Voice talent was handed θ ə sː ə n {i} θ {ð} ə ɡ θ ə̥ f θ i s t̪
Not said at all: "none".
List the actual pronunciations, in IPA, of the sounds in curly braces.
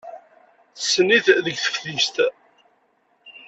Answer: i, ð

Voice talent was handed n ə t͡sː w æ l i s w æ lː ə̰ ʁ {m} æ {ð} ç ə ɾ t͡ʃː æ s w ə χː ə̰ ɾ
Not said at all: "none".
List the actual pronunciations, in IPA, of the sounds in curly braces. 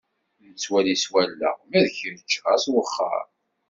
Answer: m, ð

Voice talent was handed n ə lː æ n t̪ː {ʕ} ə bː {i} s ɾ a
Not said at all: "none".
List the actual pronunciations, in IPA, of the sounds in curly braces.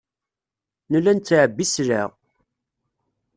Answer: ʕ, i

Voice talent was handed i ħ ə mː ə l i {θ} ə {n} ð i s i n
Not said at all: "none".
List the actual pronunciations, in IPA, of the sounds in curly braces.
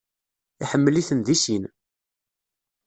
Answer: θ, n

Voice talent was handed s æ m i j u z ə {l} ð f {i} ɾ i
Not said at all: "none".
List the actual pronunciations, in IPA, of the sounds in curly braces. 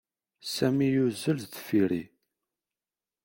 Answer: l, i

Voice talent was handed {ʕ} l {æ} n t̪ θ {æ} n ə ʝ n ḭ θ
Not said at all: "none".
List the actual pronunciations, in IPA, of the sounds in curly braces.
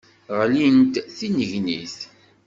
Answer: ʁ, i, i

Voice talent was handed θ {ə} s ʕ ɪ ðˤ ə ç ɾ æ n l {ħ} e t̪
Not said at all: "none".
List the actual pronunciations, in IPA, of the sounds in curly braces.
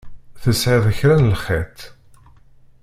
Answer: ə, χ

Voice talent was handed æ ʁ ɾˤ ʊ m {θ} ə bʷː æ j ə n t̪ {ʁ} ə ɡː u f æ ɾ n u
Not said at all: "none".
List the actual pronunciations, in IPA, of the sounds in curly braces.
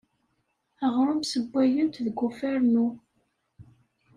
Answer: s, ð

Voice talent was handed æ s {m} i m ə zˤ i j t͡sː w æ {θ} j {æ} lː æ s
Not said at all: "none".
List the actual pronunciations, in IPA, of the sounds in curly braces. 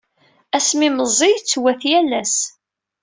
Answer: m, θ, æ

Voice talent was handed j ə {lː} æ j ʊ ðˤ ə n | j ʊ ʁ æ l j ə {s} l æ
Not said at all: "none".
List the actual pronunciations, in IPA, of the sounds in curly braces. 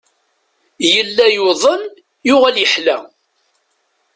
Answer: lː, ħ

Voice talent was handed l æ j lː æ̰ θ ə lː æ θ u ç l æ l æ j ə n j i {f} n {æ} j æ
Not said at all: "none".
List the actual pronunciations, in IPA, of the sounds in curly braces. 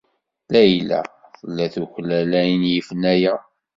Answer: f, æ

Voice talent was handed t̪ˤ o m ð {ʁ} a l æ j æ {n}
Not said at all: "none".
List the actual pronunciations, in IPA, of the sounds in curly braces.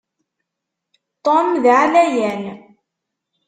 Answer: ʕ, n

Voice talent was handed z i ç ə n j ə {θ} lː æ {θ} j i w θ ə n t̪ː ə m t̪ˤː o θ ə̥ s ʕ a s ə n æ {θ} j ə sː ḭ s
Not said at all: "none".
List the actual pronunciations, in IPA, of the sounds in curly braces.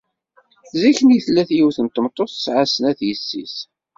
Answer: θ, θ, θ

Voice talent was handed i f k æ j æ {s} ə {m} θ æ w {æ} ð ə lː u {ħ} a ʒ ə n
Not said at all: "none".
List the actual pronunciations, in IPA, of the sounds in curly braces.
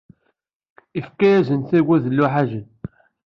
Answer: z, n, æ, ħ

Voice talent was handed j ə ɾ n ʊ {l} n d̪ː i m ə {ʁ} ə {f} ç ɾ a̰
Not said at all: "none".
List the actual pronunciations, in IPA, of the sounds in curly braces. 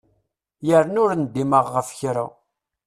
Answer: ɾ, ʁː, f

